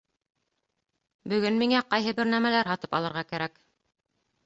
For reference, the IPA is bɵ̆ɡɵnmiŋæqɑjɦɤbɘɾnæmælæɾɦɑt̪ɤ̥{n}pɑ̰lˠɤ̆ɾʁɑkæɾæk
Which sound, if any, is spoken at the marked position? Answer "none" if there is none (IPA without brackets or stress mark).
none